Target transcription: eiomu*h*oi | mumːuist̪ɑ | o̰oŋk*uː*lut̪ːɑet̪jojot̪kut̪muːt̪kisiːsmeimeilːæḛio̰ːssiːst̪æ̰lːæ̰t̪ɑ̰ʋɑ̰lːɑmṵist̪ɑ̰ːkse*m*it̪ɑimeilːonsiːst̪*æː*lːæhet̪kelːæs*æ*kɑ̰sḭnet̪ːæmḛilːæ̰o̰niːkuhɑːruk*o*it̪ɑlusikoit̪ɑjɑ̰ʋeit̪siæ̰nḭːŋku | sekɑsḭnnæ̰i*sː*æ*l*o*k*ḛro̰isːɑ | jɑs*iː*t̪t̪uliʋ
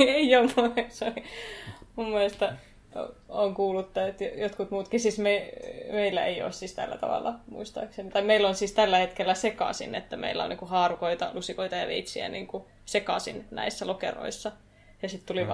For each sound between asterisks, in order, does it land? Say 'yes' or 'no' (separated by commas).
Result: no, yes, no, no, no, yes, yes, yes, yes, no